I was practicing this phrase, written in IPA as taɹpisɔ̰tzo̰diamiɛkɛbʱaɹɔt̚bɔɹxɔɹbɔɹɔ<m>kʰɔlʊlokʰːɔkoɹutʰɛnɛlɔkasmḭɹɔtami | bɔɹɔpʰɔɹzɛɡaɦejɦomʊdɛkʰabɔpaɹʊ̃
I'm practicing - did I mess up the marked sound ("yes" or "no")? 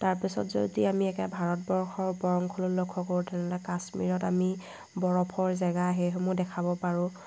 yes